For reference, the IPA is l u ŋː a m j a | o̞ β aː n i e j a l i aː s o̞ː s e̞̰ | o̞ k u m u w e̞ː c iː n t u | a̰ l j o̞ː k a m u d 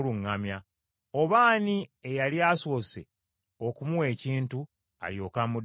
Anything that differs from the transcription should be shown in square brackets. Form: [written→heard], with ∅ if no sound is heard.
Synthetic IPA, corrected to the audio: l u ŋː a m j a | o̞ β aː n i e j a l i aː s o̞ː s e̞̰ | o̞ k u m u w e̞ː c iː n t u | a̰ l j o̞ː k a m u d